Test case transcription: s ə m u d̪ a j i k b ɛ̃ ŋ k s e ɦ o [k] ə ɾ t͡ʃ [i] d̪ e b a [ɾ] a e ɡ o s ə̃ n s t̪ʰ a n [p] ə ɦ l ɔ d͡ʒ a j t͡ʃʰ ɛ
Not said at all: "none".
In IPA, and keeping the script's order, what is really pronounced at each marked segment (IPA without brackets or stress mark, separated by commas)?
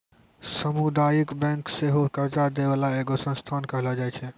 k, a, l, k